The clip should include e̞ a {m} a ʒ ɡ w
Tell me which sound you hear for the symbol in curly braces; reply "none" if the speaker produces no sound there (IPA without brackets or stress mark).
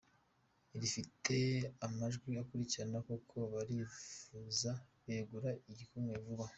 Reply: m